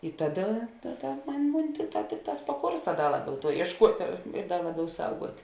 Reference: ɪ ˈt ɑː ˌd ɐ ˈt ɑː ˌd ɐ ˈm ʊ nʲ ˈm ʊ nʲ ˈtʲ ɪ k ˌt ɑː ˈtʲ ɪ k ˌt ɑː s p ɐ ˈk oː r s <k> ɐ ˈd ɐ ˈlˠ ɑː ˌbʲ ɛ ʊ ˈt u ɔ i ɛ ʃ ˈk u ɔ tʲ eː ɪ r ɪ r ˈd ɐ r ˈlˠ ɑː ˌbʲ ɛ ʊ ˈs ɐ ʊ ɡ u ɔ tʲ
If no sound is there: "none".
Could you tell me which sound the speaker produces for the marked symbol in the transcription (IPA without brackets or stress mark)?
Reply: t